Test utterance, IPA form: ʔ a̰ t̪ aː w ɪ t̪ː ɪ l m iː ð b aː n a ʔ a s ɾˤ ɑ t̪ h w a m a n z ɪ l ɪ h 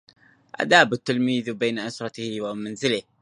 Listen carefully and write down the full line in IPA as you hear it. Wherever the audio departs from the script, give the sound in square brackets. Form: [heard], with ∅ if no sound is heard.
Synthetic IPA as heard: ʔ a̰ [d̪] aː [b] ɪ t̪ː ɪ l m iː ð b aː n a ʔ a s ɾˤ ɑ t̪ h w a m a n z ɪ l ɪ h

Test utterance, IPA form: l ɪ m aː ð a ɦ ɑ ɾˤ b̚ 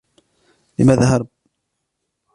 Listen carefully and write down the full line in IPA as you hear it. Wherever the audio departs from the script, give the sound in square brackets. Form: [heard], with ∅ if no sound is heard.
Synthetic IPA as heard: l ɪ m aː ð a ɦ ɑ ɾˤ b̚

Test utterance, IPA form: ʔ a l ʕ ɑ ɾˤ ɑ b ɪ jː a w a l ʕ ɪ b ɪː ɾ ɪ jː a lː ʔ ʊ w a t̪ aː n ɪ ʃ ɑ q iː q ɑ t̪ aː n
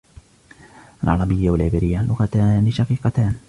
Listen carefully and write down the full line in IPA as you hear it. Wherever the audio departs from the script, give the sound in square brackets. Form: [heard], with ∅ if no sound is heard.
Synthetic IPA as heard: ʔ a l ʕ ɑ ɾˤ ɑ b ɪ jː a w a l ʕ ɪ b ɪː ɾ ɪ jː a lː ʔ ʊ [ɣ] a t̪ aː n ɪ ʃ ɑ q iː q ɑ t̪ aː n

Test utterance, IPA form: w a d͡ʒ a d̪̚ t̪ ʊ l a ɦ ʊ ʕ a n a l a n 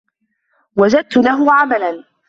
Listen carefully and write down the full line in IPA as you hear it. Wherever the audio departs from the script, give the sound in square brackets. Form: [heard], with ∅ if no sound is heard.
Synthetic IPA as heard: w a d͡ʒ a d̪̚ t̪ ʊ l a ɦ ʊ ʕ a [m] a l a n

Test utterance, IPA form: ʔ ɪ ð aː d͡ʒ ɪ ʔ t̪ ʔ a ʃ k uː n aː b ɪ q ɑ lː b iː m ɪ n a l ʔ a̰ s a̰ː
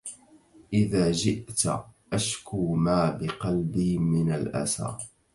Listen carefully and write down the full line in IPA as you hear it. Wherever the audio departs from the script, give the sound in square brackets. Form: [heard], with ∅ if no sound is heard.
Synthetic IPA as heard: ʔ ɪ ð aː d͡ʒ ɪ ʔ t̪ ʔ a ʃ k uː [m] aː b ɪ q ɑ [l] b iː m ɪ n a l ʔ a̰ s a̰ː

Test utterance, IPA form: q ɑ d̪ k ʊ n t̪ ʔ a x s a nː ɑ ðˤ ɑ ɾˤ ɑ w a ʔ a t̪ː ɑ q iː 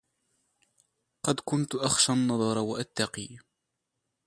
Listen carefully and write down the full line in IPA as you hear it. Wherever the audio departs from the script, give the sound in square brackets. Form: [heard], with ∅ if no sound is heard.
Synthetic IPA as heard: q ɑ d̪ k ʊ n t̪ ʔ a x [ʃ] a nː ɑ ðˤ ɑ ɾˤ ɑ w a ʔ a t̪ː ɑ q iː

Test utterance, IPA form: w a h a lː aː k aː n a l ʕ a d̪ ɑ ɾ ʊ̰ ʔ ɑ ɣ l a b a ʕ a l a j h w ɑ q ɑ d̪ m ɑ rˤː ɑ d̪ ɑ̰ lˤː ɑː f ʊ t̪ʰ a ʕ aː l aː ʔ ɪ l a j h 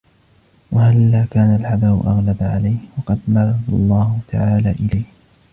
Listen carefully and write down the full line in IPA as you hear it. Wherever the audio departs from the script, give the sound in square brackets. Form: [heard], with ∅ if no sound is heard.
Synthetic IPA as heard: w a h a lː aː k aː n a l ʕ a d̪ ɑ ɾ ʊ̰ ʔ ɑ ɣ l a b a ʕ a l a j h w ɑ q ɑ d̪ m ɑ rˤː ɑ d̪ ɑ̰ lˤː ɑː [h] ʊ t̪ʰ a ʕ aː l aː ʔ ɪ l a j h

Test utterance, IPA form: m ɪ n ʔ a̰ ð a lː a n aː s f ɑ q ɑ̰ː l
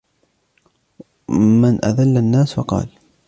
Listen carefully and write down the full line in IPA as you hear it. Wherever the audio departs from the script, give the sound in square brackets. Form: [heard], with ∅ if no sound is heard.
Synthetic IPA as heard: m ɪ n ʔ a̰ ð a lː a [nː] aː s f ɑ q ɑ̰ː l

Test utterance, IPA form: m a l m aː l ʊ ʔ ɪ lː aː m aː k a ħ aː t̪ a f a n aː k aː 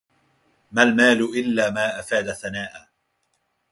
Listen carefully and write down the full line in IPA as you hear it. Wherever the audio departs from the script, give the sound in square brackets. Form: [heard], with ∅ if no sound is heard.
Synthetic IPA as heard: m a l m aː l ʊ ʔ ɪ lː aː m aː [ʔ] a [f] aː [d̪] a [θ] a n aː [ʔ] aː

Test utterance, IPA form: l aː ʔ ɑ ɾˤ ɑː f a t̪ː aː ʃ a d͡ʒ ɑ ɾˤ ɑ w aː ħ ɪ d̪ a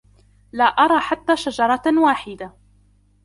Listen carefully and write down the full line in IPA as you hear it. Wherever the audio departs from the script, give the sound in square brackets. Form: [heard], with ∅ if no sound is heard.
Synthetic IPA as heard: l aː ʔ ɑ ɾˤ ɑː [ħ] a t̪ː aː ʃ a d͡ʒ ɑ ɾˤ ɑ w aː ħ ɪ d̪ a

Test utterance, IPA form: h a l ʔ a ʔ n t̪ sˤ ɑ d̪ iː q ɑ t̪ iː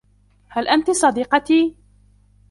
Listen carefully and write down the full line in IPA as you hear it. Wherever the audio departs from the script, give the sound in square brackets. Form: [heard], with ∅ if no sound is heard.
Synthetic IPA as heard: h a l ʔ a [∅] n t̪ sˤ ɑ d̪ iː q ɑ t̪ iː

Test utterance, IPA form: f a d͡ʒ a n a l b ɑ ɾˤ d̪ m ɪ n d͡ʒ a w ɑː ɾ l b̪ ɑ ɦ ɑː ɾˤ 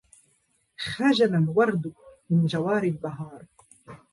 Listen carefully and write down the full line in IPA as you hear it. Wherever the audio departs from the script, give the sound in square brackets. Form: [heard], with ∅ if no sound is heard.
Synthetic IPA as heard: [x] a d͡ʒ a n a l [w] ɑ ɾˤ d̪ m ɪ n d͡ʒ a w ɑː ɾ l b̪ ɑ ɦ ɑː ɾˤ

